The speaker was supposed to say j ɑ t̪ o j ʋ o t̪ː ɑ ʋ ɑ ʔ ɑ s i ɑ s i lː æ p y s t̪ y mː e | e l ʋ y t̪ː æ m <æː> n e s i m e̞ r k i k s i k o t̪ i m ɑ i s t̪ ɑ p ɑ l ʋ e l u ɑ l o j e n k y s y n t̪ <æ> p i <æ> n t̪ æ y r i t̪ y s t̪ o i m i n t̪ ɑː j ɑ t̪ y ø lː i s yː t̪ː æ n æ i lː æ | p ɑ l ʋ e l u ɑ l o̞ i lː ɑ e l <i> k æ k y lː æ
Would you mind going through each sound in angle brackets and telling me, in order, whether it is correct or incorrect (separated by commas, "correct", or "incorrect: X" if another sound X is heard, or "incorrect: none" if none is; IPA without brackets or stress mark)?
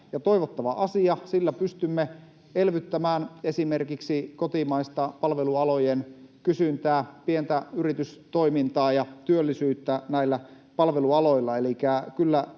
correct, incorrect: æː, incorrect: e, correct